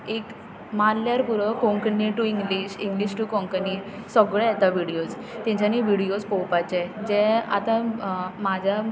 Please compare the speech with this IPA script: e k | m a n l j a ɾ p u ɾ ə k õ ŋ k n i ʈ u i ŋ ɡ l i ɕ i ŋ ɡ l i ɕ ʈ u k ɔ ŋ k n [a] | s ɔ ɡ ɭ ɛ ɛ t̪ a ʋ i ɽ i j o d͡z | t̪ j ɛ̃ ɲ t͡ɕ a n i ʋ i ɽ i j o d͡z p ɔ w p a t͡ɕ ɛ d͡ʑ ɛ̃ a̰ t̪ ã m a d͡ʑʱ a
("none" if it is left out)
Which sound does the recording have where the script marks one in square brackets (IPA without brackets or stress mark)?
i